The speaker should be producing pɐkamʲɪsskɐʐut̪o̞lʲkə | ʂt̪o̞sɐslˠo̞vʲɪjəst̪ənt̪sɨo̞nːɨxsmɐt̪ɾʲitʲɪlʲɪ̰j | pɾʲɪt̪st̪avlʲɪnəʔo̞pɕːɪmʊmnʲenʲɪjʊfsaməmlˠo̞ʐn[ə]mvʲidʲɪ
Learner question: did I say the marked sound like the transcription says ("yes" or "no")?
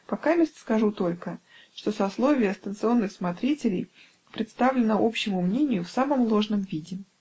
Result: yes